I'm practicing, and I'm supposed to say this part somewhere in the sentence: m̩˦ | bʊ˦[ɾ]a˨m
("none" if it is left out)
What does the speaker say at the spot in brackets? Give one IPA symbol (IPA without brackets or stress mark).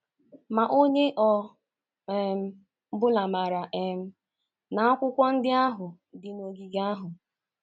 l